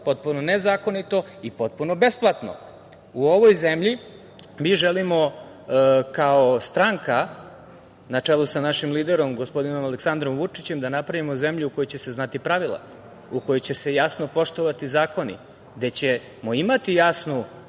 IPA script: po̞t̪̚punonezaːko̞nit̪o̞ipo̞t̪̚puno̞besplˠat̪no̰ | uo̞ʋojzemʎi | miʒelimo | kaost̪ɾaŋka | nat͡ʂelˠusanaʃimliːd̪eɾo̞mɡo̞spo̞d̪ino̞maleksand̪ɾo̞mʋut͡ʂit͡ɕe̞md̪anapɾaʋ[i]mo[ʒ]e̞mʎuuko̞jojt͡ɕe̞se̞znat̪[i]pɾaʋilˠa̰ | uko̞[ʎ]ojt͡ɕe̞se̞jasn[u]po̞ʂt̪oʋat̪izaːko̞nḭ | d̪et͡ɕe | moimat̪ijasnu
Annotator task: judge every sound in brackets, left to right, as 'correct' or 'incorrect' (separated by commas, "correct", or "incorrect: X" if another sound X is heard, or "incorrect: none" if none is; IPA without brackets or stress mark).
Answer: correct, incorrect: z, correct, incorrect: j, incorrect: o